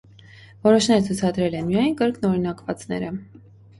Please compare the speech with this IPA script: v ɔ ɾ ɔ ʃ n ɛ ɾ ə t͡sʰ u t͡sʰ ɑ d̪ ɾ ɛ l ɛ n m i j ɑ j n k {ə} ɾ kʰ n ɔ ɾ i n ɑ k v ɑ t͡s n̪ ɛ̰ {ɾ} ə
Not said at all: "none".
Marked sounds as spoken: ə, ɾ

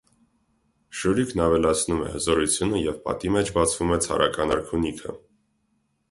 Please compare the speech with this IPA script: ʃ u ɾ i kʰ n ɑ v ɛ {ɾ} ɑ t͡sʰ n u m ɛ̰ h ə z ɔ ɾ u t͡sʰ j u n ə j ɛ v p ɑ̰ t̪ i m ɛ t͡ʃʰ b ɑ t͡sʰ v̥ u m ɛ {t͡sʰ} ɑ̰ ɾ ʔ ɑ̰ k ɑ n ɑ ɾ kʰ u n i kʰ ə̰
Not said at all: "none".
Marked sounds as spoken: l, t͡sʰ

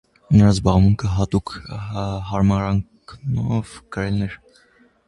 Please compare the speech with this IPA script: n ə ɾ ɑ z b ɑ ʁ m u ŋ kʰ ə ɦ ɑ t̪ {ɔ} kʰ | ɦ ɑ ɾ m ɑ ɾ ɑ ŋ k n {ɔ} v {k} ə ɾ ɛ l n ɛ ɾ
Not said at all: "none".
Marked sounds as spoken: u, ɔ, k

